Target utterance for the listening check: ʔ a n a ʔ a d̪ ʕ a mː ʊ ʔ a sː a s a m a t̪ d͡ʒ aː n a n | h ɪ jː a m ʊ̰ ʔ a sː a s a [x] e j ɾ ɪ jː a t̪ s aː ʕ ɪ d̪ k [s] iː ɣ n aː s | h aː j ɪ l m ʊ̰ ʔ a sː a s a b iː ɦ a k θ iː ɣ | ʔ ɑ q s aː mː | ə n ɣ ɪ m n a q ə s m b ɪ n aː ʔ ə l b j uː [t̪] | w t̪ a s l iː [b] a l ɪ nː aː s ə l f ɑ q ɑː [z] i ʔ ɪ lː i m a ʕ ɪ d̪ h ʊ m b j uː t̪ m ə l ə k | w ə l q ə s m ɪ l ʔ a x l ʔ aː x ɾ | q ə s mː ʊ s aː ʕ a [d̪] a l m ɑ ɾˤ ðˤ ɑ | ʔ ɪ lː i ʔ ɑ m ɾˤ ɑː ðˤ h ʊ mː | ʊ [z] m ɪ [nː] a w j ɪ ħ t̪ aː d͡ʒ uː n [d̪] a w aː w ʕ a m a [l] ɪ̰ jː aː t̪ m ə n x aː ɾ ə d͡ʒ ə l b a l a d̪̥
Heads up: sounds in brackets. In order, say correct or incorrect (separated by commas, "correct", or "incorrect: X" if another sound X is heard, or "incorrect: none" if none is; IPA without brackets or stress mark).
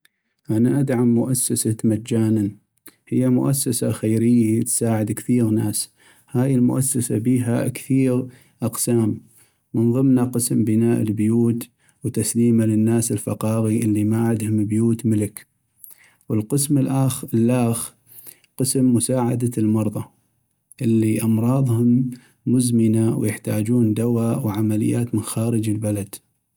correct, incorrect: θ, correct, incorrect: m, incorrect: ɣ, correct, correct, incorrect: n, correct, correct